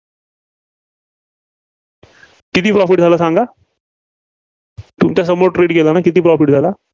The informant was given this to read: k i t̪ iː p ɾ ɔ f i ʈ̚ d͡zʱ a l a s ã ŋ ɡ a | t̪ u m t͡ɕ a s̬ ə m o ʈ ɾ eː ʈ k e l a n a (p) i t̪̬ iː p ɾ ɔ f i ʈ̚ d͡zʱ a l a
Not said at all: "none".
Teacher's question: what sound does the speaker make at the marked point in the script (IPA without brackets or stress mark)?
k